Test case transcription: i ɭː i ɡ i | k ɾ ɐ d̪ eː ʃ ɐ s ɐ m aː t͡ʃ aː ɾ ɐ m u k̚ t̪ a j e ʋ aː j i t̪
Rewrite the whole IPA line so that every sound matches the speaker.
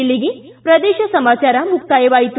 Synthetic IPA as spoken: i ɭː i ɡ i | p ɾ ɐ d̪ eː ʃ ɐ s ɐ m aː t͡ʃ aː ɾ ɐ m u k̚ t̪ a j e ʋ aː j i t̪